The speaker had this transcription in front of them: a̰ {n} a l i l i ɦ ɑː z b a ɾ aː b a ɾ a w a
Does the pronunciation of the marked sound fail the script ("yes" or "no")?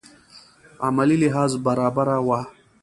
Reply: yes